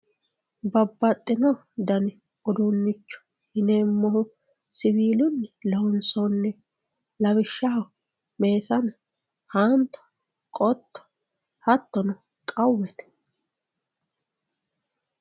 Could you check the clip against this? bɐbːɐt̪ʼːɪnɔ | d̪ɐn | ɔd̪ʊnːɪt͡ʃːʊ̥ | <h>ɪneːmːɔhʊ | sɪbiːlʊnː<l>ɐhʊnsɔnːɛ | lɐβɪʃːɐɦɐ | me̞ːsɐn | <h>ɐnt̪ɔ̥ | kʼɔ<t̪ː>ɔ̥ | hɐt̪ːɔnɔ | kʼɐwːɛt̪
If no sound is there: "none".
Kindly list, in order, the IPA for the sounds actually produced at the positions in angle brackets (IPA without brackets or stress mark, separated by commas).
h, l, h, t̪ː